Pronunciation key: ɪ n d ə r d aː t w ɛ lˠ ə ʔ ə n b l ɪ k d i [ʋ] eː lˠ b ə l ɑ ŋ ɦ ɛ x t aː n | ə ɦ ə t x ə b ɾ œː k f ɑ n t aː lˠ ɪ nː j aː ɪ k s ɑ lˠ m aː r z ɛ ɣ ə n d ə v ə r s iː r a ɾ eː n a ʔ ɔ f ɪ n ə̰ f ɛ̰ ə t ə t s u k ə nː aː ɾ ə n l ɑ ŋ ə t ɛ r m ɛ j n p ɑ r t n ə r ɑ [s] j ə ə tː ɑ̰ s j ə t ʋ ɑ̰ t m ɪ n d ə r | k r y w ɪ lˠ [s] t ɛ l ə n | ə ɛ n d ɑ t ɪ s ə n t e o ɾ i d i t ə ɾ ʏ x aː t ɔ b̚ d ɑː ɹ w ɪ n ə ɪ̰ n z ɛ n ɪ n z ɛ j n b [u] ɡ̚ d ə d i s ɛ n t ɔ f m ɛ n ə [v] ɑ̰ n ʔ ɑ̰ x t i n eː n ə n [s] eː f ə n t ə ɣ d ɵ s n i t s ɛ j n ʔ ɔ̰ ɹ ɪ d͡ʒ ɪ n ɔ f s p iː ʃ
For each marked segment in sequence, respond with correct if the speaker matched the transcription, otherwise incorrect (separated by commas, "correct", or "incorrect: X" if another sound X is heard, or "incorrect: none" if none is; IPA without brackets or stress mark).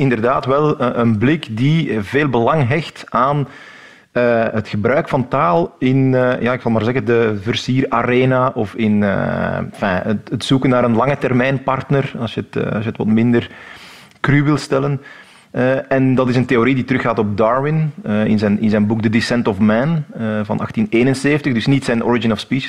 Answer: incorrect: v, correct, correct, correct, correct, correct